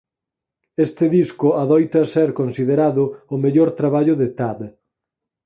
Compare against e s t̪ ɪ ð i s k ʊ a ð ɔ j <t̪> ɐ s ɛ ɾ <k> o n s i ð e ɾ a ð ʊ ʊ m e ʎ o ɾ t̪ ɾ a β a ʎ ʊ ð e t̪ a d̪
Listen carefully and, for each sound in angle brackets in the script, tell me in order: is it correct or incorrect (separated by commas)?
correct, correct